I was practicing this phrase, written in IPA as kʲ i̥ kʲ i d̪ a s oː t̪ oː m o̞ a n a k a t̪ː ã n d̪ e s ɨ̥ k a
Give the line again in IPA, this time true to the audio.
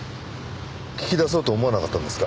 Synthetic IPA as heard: kʲ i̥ kʲ i d̪ a s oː t̪ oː m o̞ a n a k a t̪ː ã n d̪ e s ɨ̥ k a